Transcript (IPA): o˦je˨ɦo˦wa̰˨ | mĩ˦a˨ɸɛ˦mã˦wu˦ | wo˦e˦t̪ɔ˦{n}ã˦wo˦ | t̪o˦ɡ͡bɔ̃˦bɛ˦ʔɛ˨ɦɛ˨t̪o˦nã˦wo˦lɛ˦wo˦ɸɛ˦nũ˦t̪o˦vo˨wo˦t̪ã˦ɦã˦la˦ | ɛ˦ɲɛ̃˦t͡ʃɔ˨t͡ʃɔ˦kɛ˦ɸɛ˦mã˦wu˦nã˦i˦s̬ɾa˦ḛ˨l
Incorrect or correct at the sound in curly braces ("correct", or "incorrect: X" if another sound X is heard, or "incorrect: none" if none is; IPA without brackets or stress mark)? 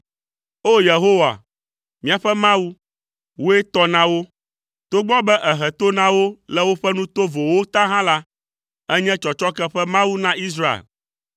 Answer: correct